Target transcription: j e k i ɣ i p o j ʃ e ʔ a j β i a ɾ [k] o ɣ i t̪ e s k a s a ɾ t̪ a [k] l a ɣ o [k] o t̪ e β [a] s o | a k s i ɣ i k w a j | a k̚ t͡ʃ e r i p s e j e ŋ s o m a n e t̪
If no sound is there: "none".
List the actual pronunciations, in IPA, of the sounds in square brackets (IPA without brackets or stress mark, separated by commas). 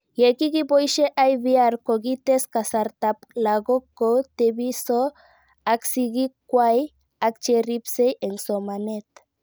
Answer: k, p, k, i